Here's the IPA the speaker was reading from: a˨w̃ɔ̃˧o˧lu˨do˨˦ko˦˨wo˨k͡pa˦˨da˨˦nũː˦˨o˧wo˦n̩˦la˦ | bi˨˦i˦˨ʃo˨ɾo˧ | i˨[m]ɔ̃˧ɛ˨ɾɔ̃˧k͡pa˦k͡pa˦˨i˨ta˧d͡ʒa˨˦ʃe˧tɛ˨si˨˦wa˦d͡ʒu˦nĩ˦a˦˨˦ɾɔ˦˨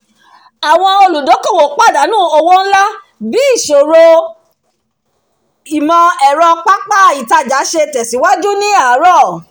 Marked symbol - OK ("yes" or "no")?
yes